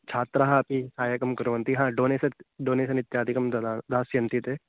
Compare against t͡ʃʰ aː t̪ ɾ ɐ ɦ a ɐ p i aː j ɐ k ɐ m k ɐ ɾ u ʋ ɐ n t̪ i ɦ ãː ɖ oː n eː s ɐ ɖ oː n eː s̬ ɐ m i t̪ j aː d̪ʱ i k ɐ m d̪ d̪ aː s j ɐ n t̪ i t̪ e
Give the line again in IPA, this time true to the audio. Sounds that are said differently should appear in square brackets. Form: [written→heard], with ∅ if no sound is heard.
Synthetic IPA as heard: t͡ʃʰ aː t̪ ɾ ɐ ɦ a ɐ p i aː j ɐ k ɐ m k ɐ ɾ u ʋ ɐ n t̪ i ɦ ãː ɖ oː n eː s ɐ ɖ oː n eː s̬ ɐ [m→n] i t̪ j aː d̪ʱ i k ɐ m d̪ d̪ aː s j ɐ n t̪ i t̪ e